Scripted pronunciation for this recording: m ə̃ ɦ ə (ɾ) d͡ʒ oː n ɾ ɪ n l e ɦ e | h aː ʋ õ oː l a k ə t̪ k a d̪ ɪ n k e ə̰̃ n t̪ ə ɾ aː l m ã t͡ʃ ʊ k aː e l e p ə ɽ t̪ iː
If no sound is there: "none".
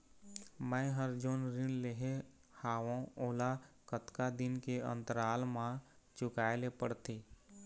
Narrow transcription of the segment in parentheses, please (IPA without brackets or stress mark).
ɾ